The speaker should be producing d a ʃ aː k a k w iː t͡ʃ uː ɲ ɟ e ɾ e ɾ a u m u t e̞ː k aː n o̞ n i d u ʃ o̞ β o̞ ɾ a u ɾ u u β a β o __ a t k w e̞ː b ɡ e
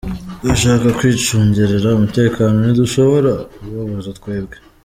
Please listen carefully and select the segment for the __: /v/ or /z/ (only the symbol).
z